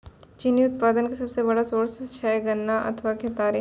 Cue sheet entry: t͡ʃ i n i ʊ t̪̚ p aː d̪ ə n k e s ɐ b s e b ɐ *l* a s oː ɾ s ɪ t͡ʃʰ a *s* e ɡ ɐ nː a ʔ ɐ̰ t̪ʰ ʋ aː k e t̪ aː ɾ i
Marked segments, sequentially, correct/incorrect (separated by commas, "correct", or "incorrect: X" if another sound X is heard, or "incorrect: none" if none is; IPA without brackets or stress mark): incorrect: ɽ, incorrect: none